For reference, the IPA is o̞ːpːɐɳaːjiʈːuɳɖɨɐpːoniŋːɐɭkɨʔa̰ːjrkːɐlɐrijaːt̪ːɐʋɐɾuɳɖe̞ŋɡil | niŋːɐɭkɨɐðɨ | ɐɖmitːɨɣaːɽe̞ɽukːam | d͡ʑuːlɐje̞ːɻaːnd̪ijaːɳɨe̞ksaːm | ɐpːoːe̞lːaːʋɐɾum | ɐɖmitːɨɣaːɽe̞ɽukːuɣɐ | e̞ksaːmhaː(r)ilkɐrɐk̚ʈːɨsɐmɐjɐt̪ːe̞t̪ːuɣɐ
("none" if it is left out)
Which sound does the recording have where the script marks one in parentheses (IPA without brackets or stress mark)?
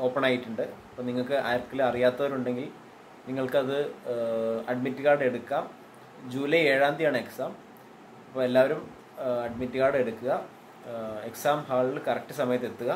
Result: ɭ